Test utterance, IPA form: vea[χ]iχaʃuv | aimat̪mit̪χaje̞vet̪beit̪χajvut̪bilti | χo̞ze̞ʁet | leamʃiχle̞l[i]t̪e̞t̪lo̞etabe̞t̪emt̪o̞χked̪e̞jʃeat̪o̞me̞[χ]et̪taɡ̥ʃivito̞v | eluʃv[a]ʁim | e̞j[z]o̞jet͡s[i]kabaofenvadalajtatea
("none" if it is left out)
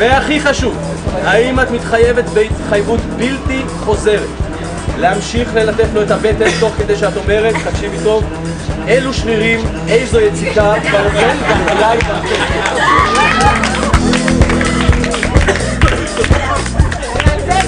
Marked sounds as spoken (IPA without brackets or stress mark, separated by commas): χ, a, ʁ, i, z, i